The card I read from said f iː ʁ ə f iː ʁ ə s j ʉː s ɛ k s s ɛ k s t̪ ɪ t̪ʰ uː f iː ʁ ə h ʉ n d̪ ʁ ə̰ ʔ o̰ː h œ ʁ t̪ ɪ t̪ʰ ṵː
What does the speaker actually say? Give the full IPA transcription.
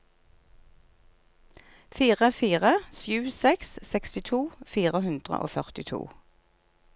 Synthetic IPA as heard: f iː ʁ ə f iː ʁ ə s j ʉː s ɛ k s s ɛ k s t̪ ɪ t̪ʰ uː f iː ʁ ə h ʉ n d̪ ʁ ə̰ ʔ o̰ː f œ ʁ t̪ ɪ t̪ʰ ṵː